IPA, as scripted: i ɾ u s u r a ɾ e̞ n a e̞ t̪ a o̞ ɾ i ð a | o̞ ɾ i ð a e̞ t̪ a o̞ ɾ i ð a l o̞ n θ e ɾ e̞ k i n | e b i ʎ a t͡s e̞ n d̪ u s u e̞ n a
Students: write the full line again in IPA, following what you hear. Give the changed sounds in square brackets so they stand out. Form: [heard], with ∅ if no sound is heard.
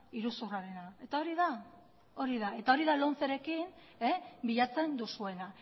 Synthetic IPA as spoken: i ɾ u s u r a ɾ e̞ n a e̞ t̪ a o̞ ɾ i ð a | o̞ ɾ i ð a e̞ t̪ a o̞ ɾ i ð a l o̞ n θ e ɾ e̞ k i n | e b i ʎ a t͡s e̞ n d̪ u s u e̞ n a

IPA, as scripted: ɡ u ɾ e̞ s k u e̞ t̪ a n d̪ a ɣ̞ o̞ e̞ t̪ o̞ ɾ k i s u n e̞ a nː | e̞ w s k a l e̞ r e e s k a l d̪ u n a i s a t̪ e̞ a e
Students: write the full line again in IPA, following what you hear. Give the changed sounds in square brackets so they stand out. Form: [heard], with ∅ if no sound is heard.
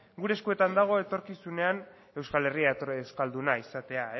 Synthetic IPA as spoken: ɡ u ɾ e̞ s k u e̞ t̪ a n d̪ a ɣ̞ o̞ e̞ t̪ o̞ ɾ k i s u n e̞ a [n] | e̞ w s k a l e̞ r [i] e s k a l d̪ u n a i s a t̪ e̞ a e

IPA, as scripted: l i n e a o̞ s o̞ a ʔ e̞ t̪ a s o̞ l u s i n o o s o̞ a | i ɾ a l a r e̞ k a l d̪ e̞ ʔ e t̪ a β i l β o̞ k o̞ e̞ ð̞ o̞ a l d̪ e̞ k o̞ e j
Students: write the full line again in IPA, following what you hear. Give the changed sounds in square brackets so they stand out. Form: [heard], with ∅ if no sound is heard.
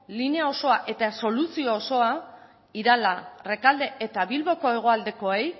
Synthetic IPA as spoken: l i n e a o̞ s o̞ a ʔ e̞ t̪ a s o̞ l u s i [∅] o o s o̞ a | i ɾ a l a r e̞ k a l d̪ e̞ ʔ e t̪ a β i l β o̞ k o̞ e̞ [ɣ̞] o̞ a l d̪ e̞ k o̞ e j

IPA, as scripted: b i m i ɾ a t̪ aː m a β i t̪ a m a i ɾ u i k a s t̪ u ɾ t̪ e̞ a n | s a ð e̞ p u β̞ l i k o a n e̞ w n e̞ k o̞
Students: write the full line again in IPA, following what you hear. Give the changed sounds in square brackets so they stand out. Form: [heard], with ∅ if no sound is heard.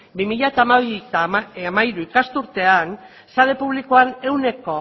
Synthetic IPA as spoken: b i m i [ʎ] a t̪ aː m a β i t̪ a m a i ɾ u i k a s t̪ u ɾ t̪ e̞ a n | s a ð e̞ p u β̞ l i k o a n e̞ w n e̞ k o̞

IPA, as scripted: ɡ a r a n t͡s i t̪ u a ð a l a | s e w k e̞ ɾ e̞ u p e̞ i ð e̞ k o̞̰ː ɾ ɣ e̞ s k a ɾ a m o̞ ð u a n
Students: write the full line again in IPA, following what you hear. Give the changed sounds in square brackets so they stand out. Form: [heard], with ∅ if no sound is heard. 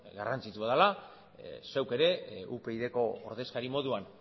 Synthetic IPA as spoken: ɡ a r a n t͡s i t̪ u a ð a l a | s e w k e̞ ɾ e̞ u p e̞ i ð e̞ k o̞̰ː ɾ [ð] e̞ s k a ɾ [i] m o̞ ð u a n

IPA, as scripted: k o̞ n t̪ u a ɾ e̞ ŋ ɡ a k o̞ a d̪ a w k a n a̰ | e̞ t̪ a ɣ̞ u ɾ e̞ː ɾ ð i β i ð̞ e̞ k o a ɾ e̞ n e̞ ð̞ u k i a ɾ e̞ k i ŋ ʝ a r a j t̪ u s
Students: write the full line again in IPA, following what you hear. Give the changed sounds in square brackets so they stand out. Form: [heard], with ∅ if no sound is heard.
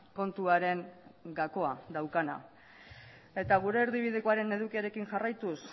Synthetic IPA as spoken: k o̞ n t̪ u a ɾ e̞ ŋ ɡ a k o̞ a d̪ a w k a n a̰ | e̞ t̪ a ɣ̞ u ɾ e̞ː ɾ ð i β i ð̞ e̞ k o a ɾ e̞ n e̞ ð̞ u k i a ɾ e̞ k i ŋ ʝ a r a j t̪ u s

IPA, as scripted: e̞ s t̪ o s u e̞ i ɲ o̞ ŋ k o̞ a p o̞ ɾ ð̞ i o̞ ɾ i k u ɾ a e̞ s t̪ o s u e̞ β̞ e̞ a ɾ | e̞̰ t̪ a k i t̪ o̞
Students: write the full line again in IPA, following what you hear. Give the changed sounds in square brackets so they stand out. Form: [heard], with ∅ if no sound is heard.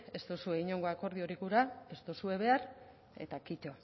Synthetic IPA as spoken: e̞ s t̪ o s u e̞ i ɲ o̞ ŋ [ɡ] o̞ a [k] o̞ ɾ ð̞ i o̞ ɾ i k u ɾ a e̞ s t̪ o s u e̞ β̞ e̞ a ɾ | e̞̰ t̪ a k i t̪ o̞

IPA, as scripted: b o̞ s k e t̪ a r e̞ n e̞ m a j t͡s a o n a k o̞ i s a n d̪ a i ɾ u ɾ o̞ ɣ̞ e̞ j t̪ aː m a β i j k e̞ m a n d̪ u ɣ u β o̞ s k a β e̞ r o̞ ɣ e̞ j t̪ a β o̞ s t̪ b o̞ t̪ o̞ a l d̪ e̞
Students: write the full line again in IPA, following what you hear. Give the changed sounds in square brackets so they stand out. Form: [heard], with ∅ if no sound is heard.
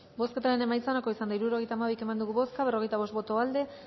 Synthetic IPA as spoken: b o̞ s k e t̪ a [ɾ] e̞ n e̞ m a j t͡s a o n a k o̞ i s a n d̪ a i ɾ u ɾ o̞ ɣ̞ e̞ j t̪ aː m a β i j k e̞ m a n d̪ u ɣ u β o̞ s k a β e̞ r o̞ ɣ e̞ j t̪ a β o̞ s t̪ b o̞ t̪ o̞ a l d̪ e̞

